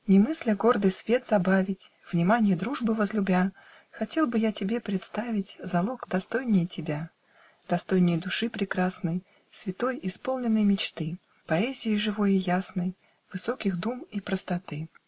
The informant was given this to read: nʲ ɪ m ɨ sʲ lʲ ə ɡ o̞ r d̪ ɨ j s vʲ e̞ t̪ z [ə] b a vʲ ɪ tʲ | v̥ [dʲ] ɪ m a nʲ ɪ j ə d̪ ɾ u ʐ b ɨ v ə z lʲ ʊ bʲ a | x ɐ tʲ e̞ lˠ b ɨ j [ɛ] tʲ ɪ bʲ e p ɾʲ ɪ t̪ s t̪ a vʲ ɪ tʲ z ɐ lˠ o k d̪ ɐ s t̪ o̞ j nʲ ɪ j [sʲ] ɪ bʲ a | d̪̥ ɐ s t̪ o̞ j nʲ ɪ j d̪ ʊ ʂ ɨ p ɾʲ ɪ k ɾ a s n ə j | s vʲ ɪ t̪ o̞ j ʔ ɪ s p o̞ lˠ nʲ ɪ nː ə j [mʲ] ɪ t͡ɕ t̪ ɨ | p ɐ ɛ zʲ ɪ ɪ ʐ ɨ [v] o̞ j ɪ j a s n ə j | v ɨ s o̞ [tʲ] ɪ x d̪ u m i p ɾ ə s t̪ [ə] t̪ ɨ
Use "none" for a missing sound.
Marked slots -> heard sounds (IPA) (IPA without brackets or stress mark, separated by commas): ɐ, nʲ, a, tʲ, mʲ, v, kʲ, ɐ